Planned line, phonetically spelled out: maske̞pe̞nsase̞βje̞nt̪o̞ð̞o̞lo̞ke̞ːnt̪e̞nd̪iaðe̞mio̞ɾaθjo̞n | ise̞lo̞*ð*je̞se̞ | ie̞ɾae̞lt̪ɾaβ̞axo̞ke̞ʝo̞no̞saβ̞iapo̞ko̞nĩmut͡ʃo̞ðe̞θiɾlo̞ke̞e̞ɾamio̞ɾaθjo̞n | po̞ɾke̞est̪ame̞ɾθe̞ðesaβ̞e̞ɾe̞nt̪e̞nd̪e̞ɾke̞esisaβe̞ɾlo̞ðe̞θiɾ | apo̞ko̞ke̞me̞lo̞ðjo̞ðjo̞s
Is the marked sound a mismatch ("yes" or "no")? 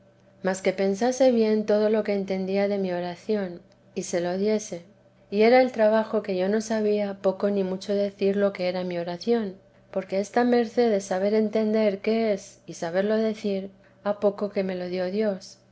no